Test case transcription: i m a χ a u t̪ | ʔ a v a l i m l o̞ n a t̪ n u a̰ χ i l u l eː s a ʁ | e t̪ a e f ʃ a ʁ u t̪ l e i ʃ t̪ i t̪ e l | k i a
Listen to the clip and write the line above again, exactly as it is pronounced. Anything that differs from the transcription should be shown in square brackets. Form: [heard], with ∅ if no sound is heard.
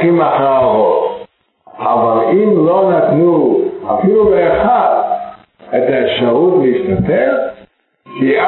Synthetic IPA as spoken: i m a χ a [o] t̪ | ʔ a v a l i m l o̞ n a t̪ n u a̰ [f] i l u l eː [χ] a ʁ | e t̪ a e f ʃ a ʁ u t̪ l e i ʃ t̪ [a] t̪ e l | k i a